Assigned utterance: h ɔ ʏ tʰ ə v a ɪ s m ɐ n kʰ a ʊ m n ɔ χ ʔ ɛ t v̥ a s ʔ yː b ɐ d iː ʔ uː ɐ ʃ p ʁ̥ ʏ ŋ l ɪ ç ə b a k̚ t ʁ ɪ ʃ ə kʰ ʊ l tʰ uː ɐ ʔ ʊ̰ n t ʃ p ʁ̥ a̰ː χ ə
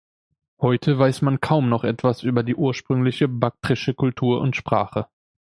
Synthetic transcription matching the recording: h ɔ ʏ tʰ ə v a ɪ s m a n kʰ a ʊ m n ɔ χ ʔ ɛ t v̥ a s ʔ yː b ɐ d iː ʔ uː ɐ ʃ p ʁ̥ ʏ ŋ l ɪ ç ə b a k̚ t ʁ ɪ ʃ ə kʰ ʊ l tʰ uː ɐ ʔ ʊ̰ n t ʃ p ʁ̥ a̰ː χ ə